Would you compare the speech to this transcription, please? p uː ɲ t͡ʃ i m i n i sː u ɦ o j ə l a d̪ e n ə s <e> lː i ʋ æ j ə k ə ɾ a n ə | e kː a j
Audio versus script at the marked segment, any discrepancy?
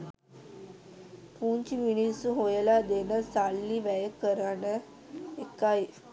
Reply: yes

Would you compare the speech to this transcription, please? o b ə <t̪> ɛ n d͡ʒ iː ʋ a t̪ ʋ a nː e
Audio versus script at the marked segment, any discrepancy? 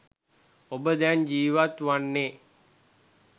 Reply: yes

